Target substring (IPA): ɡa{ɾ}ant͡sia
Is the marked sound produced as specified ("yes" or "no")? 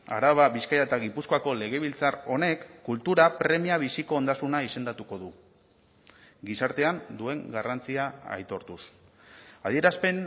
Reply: no